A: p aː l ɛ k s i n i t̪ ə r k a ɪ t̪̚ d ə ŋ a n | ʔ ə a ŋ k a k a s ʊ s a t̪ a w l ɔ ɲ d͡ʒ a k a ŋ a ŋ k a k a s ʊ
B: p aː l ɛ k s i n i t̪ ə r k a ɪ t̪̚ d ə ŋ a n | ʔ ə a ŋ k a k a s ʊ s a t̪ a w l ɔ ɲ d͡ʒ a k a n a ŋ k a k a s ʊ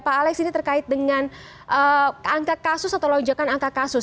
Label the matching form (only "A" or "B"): B